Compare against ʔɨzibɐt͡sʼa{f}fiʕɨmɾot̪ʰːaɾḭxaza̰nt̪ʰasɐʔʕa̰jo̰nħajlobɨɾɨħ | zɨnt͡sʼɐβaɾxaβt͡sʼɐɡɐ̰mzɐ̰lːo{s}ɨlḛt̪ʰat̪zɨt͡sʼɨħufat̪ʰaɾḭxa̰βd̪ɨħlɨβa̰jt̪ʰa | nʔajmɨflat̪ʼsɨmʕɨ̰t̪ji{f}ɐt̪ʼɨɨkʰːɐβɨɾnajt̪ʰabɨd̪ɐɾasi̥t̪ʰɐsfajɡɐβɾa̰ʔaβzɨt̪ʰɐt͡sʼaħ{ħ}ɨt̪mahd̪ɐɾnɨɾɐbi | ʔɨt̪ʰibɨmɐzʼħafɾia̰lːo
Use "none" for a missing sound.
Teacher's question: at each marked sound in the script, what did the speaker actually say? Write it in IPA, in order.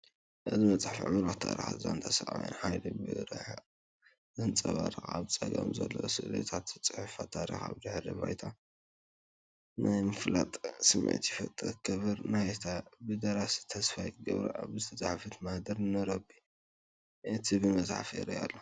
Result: ħ, s, f, f

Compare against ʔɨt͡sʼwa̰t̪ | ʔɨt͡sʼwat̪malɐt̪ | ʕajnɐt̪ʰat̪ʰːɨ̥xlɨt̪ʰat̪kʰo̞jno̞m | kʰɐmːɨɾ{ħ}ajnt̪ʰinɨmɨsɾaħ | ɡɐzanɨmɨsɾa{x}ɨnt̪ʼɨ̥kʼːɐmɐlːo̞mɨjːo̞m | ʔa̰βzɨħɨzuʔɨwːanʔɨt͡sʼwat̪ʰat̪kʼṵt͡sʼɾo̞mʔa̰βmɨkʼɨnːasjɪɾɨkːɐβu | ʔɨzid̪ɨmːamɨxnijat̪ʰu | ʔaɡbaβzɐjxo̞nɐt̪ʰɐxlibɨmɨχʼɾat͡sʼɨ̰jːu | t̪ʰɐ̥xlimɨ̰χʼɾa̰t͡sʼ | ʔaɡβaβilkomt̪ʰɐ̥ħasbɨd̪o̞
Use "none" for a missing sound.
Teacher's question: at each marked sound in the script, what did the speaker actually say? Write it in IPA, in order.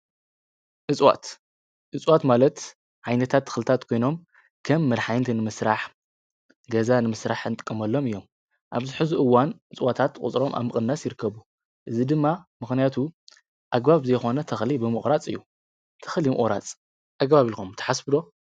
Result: ħ, ħ

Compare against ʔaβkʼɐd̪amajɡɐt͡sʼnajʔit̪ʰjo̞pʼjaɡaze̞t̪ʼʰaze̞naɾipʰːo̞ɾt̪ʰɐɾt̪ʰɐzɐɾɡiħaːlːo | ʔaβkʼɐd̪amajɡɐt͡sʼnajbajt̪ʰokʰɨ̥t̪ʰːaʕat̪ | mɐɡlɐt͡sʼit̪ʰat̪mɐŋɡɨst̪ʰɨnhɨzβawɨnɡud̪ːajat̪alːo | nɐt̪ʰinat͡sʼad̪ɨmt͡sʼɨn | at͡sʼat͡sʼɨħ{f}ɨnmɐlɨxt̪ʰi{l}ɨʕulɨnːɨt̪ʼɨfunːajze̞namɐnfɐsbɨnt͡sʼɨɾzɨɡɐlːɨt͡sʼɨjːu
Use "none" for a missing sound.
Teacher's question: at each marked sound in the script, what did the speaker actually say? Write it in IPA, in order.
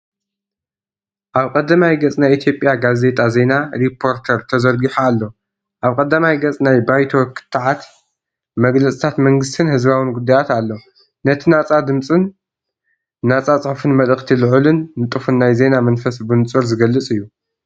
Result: f, l

